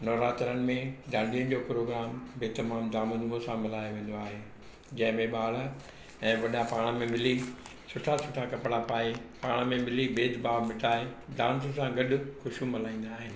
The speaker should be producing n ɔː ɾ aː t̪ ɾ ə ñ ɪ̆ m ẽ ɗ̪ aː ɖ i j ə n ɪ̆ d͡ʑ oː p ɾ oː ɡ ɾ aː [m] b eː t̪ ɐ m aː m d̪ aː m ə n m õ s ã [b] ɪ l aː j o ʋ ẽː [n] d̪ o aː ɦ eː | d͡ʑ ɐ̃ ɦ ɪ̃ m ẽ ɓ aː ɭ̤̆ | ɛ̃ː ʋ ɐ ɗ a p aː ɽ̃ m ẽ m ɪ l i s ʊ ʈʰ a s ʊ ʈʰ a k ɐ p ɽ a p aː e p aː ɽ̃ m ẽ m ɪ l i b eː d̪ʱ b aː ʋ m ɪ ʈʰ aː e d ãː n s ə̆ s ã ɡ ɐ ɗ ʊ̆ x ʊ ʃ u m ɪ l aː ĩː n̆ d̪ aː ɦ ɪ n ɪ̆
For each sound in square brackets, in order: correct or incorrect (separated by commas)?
correct, incorrect, correct